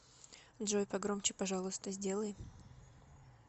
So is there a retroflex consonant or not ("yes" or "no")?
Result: yes